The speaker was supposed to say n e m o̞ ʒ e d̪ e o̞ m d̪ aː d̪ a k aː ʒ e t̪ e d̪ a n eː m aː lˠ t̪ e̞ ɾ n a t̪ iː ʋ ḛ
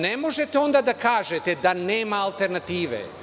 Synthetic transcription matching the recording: n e m o̞ ʒ e t̪ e o̞ n d̪ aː d̪ a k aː ʒ e t̪ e d̪ a n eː m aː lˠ t̪ e̞ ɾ n a t̪ iː ʋ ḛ